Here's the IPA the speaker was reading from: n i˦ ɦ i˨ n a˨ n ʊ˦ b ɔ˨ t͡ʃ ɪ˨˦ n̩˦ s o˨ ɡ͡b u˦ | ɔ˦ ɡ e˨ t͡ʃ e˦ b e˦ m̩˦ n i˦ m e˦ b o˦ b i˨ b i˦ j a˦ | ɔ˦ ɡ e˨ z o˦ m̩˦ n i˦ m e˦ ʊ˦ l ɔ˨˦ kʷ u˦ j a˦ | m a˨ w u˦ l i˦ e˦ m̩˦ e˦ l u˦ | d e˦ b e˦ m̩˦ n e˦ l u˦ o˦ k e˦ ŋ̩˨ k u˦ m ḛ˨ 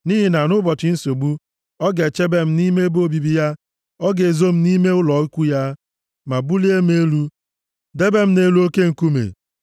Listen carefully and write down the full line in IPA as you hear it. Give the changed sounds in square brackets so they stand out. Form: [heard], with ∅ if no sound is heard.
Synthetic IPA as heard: n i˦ ɦ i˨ n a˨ n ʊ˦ b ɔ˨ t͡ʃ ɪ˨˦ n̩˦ s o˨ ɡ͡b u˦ | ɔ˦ ɡ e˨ t͡ʃ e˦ b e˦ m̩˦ n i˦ m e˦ b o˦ b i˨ b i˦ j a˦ | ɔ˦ ɡ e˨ z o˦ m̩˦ n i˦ m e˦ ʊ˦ l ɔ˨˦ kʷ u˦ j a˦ | m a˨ [b] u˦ l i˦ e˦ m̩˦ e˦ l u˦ | d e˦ b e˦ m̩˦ n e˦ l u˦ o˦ k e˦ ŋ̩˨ k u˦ m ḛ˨